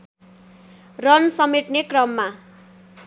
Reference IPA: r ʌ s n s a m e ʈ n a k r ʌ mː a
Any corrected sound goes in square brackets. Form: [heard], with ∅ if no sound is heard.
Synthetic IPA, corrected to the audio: r ʌ [∅] n s [ʌ] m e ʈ n [e] k r ʌ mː a